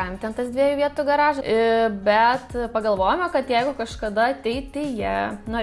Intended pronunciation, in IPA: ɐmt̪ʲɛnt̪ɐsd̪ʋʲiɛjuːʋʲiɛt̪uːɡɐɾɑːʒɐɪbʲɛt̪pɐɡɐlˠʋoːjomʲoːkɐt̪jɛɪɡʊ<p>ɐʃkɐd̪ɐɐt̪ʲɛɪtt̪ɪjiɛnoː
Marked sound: incorrect: k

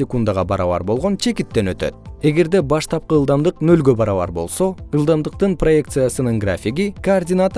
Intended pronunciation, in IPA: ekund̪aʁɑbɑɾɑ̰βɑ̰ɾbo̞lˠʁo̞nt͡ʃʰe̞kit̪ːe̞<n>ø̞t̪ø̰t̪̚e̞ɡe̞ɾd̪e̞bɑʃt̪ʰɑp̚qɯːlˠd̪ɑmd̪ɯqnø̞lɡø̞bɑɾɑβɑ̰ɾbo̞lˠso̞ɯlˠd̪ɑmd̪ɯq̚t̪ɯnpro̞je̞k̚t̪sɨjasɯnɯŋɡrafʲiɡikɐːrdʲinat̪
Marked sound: correct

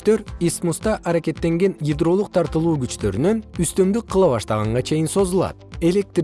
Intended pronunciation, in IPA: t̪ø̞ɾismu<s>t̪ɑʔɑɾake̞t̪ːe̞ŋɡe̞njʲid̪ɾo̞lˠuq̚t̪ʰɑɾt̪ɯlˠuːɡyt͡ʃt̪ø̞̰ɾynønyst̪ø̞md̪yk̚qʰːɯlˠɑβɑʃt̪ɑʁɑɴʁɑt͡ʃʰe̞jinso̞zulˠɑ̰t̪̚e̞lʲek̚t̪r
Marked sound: correct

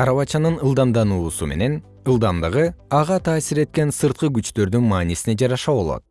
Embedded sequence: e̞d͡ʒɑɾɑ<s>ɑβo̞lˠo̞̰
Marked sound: incorrect: ʃ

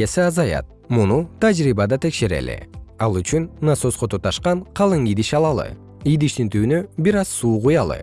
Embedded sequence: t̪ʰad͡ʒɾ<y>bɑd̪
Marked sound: incorrect: i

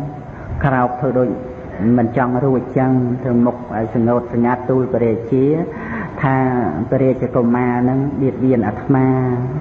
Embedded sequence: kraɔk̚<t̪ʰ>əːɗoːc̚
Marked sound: correct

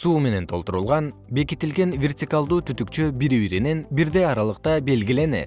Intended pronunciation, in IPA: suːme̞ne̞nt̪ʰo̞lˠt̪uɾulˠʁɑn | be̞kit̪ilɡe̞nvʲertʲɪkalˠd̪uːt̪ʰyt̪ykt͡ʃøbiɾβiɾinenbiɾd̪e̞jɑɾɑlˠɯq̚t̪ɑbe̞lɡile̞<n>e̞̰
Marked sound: correct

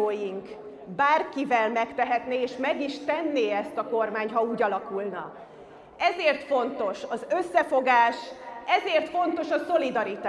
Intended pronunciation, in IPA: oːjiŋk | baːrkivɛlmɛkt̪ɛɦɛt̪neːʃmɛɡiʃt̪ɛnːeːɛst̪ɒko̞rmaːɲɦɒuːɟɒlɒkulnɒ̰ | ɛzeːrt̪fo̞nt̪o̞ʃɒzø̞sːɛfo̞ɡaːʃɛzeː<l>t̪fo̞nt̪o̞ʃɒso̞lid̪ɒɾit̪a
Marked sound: incorrect: r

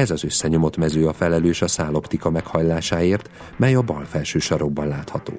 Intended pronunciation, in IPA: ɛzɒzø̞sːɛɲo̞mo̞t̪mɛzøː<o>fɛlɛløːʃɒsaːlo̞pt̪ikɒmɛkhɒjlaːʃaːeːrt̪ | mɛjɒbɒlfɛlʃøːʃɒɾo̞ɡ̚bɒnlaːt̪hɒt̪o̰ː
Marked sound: incorrect: ɒ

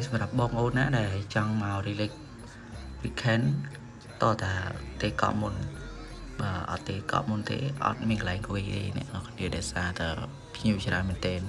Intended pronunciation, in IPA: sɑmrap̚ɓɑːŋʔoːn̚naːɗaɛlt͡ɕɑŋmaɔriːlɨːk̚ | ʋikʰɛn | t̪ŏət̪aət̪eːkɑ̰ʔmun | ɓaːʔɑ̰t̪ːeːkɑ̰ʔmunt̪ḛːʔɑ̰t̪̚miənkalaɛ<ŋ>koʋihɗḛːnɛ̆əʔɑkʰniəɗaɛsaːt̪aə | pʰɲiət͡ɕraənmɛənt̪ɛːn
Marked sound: correct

